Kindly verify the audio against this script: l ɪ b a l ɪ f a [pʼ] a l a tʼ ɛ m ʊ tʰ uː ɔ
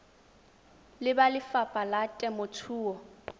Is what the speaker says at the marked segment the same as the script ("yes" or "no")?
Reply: yes